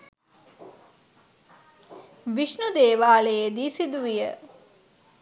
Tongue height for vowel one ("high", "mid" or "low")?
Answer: high